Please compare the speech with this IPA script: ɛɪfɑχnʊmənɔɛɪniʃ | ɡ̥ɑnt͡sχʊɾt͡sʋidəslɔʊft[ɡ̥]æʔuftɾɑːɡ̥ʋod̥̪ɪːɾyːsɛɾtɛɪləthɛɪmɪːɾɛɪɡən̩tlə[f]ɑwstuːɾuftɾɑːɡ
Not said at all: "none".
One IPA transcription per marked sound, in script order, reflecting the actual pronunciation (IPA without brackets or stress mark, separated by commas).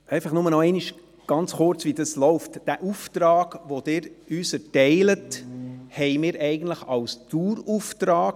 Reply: d̥, χ